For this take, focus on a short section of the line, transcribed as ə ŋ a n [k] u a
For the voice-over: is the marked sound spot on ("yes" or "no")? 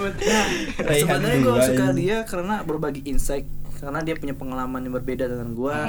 no